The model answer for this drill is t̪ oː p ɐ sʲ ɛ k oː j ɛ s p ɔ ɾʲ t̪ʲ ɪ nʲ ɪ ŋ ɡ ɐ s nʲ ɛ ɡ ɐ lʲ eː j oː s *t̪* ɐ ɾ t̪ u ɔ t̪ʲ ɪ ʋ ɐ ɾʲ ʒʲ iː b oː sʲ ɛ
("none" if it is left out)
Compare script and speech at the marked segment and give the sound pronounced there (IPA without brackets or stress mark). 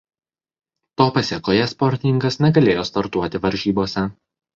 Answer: t̪